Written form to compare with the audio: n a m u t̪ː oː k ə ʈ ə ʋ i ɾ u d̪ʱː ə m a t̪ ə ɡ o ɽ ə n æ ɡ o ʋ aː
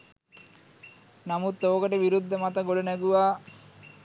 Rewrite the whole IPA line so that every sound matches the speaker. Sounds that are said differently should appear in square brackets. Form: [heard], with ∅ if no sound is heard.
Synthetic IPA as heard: n a m u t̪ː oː k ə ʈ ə ʋ i ɾ u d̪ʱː ə m a t̪ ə ɡ o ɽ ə n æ ɡ [u] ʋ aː